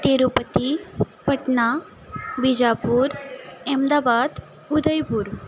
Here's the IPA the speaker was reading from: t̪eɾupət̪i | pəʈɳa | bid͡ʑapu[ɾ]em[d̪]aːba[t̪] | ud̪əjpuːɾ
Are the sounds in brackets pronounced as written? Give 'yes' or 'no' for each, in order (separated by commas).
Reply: yes, yes, no